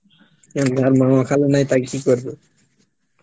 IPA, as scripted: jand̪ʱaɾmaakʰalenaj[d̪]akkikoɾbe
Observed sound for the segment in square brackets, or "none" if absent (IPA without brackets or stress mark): t̪